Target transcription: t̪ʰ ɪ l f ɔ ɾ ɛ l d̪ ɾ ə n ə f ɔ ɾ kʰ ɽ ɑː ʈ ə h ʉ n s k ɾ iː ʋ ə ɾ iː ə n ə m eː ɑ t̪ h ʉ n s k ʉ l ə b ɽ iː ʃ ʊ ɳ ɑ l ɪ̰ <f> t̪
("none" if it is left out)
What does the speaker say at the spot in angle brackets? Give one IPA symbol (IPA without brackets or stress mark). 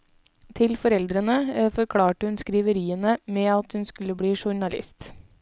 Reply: s